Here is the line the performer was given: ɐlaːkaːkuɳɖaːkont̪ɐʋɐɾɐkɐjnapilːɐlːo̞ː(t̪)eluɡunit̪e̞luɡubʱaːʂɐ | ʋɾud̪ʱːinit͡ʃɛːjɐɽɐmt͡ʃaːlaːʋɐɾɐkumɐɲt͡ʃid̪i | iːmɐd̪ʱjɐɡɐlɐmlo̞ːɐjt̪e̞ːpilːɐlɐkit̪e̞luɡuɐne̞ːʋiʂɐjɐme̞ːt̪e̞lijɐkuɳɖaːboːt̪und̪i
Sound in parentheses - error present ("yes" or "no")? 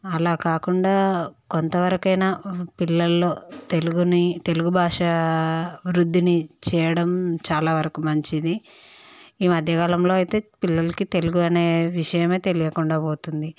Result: no